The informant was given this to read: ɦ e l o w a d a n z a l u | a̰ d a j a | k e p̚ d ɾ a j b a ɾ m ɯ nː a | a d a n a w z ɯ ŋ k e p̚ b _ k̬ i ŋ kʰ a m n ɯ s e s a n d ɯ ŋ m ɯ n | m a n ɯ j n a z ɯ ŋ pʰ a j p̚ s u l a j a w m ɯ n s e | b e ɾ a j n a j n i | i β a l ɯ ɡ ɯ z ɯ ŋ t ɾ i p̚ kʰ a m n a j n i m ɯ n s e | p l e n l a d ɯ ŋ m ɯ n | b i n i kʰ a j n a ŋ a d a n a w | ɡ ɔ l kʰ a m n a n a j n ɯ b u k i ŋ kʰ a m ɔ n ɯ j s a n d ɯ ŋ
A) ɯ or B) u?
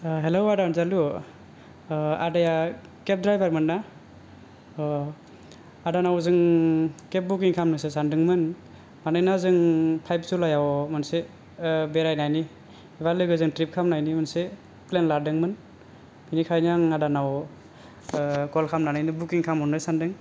B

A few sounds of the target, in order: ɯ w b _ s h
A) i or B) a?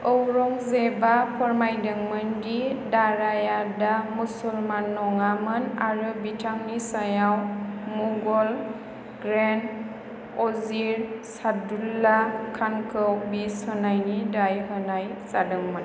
A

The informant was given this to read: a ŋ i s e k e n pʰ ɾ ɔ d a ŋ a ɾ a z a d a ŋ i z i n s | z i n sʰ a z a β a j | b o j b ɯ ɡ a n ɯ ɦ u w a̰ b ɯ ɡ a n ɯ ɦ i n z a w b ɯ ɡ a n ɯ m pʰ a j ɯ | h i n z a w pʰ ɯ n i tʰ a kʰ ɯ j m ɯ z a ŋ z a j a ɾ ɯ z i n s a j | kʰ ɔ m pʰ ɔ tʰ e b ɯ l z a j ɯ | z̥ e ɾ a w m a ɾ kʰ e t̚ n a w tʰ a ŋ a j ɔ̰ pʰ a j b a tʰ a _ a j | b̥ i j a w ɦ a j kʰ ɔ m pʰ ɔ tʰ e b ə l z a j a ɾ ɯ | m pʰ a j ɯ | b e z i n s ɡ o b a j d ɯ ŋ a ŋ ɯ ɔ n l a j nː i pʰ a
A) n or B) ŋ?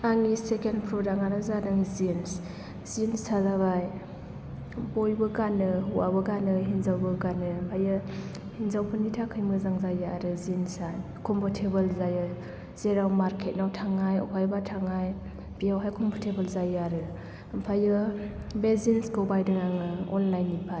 B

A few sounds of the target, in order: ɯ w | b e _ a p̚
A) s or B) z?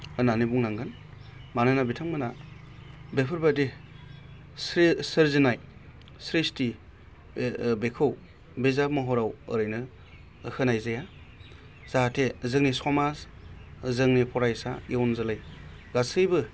B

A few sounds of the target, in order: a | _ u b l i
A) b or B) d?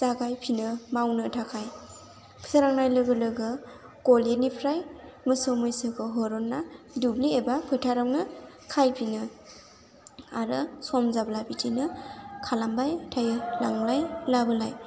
B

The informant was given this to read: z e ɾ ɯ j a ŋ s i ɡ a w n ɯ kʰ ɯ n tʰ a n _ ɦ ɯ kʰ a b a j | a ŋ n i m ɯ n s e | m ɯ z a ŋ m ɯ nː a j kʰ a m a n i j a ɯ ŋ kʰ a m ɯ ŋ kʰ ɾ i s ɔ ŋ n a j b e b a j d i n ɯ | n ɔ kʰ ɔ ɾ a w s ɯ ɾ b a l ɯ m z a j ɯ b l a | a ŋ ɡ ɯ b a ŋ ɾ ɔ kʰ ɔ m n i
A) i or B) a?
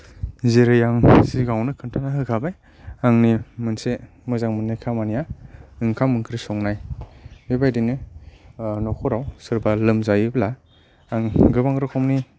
B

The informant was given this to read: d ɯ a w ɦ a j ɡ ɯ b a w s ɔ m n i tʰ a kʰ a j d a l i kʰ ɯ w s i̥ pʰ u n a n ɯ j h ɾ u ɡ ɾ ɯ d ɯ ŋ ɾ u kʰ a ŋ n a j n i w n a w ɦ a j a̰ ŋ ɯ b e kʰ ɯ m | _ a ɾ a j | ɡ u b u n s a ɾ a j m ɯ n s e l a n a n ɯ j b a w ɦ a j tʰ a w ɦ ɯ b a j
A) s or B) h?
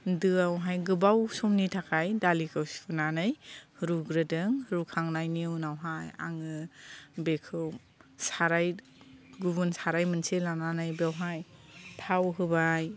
A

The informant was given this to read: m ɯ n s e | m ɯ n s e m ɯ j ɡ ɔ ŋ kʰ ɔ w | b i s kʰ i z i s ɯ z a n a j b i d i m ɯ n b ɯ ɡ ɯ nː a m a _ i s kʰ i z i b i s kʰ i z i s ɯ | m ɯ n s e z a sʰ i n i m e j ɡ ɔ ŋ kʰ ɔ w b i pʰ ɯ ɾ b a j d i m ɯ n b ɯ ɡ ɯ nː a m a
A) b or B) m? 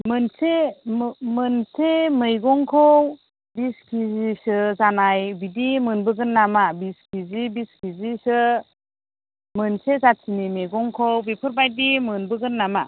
A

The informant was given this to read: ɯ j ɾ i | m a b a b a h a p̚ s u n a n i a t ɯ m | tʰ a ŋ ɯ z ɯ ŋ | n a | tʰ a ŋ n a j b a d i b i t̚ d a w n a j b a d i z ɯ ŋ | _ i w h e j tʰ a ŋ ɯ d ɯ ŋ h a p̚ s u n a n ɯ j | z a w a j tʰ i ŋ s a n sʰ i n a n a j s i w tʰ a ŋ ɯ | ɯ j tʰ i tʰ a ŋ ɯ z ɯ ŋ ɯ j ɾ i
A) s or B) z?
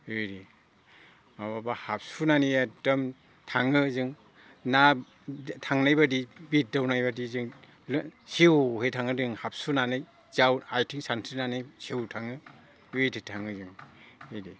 A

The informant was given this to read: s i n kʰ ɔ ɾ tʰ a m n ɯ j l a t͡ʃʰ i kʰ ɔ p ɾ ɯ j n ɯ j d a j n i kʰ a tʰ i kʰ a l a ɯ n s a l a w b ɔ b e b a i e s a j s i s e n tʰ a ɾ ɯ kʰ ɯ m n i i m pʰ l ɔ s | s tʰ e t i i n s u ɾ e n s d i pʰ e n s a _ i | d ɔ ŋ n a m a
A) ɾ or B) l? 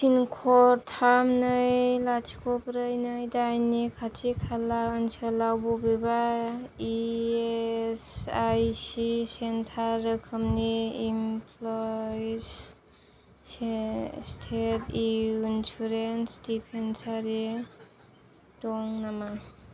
A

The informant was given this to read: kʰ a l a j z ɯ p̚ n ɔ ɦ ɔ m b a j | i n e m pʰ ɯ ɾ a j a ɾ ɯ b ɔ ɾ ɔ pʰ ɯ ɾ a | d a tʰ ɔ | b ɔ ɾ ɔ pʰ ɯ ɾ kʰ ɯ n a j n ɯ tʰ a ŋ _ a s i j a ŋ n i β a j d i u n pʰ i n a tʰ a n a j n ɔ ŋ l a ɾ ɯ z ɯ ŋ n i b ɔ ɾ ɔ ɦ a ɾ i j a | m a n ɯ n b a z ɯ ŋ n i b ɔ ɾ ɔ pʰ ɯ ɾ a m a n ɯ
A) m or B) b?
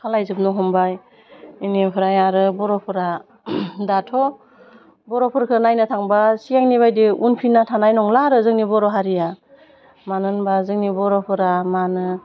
B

